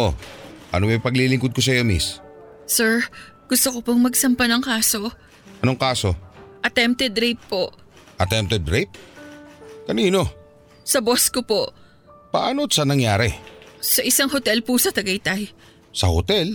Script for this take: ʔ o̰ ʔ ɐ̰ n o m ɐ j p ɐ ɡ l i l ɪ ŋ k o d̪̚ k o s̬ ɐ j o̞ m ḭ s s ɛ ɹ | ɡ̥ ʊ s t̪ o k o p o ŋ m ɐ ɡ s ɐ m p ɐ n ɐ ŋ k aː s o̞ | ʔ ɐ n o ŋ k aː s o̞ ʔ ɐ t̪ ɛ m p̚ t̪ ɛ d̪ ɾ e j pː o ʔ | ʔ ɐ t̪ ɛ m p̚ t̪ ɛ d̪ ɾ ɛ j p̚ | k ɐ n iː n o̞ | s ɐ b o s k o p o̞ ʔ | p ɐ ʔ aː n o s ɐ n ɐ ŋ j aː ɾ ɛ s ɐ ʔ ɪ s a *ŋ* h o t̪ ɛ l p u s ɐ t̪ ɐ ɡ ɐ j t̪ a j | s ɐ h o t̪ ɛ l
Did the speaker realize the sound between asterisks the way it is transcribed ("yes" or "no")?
yes